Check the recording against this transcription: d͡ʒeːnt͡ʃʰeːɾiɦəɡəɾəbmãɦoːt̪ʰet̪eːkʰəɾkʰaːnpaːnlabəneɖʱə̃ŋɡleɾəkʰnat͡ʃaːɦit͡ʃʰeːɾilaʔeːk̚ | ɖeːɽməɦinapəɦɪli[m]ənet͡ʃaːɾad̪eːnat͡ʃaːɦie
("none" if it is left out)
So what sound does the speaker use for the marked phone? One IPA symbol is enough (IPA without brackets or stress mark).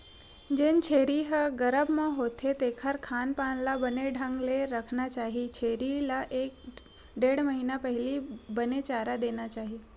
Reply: b